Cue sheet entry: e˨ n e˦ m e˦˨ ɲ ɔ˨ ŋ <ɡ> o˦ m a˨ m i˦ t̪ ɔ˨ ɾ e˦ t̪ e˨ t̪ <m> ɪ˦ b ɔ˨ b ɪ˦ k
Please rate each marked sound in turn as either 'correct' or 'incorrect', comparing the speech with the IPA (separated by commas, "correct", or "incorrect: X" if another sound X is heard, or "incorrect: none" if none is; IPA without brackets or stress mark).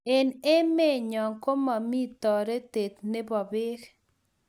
incorrect: k, incorrect: n